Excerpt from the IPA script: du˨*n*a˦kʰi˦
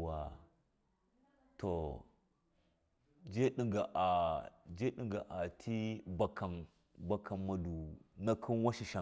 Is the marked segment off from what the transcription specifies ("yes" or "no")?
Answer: no